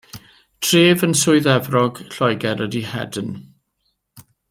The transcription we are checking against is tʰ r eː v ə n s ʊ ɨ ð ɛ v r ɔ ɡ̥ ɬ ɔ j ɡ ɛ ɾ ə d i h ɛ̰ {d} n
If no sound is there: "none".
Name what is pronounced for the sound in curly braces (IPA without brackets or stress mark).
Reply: d